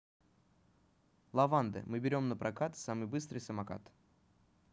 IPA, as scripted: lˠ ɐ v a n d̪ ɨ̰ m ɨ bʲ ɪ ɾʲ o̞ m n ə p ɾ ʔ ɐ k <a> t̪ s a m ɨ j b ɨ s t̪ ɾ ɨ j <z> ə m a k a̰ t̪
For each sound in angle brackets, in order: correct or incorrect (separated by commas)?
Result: correct, incorrect